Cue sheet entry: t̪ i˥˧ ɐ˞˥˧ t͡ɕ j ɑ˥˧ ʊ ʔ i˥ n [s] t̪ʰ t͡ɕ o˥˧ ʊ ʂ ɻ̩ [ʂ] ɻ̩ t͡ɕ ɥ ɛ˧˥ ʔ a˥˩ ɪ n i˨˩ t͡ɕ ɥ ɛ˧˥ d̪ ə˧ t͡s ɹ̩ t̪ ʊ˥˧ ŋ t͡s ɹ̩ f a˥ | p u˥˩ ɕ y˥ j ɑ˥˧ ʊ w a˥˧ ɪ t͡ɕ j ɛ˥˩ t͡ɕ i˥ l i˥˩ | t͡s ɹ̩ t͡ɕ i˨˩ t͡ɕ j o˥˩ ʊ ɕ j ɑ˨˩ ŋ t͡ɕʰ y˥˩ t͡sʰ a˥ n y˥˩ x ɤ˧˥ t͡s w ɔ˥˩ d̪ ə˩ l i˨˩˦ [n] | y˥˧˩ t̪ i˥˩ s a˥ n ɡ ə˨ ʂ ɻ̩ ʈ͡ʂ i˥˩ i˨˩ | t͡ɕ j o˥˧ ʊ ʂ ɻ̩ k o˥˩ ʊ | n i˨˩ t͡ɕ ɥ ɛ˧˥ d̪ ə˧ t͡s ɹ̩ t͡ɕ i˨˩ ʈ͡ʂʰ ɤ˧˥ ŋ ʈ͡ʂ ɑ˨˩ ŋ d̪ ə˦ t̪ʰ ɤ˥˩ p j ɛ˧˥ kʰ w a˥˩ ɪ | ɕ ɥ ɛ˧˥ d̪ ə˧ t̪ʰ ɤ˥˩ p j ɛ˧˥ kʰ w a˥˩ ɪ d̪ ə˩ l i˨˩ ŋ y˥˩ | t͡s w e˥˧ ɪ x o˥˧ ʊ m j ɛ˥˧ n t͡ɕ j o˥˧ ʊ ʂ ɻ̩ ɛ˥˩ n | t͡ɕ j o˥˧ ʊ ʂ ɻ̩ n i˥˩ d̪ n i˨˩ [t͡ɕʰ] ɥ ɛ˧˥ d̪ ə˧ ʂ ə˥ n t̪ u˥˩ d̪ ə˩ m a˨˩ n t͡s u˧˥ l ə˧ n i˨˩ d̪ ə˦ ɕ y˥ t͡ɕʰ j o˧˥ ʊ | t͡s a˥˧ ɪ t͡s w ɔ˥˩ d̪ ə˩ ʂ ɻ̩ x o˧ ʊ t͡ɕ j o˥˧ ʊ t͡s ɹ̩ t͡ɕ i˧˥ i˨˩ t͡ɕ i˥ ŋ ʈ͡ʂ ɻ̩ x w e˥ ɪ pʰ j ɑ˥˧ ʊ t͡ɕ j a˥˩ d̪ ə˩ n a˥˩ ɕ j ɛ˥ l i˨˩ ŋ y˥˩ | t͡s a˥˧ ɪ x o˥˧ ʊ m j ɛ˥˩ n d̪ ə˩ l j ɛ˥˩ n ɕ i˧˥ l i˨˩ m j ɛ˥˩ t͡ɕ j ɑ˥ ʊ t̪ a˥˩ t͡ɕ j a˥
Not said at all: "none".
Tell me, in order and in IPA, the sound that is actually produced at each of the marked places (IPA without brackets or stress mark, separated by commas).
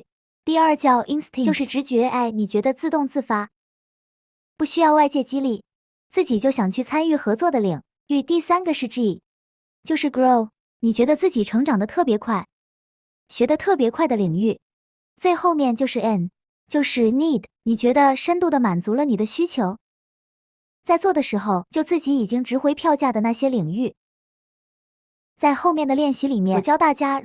s, ʈ͡ʂ, ŋ, t͡ɕ